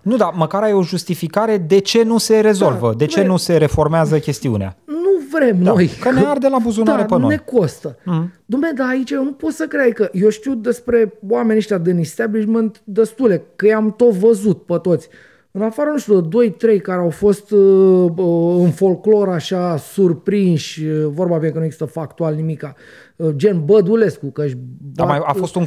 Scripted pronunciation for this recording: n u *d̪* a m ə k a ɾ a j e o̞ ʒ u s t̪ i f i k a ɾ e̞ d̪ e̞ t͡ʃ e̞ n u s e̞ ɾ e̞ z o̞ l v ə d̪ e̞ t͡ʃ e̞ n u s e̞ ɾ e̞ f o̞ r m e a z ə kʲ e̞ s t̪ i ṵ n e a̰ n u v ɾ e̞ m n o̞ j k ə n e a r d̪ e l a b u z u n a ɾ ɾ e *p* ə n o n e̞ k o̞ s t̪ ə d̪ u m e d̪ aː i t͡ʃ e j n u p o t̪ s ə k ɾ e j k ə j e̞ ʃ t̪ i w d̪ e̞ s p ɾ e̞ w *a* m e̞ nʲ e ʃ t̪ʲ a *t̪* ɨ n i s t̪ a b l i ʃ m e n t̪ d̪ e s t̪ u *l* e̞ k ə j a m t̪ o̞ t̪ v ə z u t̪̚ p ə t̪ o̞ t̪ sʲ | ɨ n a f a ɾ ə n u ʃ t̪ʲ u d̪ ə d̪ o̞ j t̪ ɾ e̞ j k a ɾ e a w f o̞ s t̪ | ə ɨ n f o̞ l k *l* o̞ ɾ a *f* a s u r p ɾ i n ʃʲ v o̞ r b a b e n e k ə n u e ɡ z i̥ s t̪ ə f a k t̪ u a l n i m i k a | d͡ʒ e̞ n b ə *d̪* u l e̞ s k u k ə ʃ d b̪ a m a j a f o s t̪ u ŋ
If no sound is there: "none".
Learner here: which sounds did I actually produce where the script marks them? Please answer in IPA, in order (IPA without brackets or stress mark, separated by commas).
d̪, p, a, d̪, l, l, ʃ, d̪